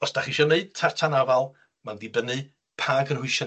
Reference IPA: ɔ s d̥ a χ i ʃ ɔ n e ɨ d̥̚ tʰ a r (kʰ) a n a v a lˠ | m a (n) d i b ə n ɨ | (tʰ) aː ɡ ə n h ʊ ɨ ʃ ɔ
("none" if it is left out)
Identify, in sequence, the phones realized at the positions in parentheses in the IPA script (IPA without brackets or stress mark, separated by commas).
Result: tʰ, n, pʰ